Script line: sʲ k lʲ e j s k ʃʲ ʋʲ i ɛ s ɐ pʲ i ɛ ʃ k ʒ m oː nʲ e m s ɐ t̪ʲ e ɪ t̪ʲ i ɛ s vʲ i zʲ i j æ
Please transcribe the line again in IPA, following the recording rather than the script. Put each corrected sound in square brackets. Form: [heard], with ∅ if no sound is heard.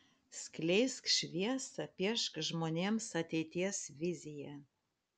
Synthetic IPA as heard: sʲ k lʲ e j s k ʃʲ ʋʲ i ɛ s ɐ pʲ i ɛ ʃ k ʒ m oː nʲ e m s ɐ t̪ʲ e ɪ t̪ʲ i ɛ s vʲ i zʲ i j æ